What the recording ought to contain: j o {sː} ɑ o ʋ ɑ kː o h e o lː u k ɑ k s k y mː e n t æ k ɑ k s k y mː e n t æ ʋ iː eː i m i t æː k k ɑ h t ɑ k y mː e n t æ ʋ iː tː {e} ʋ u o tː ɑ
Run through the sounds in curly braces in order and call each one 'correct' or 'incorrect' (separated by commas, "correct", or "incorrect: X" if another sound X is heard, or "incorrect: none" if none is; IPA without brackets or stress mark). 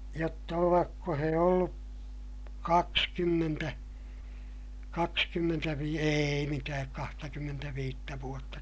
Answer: incorrect: tː, incorrect: æ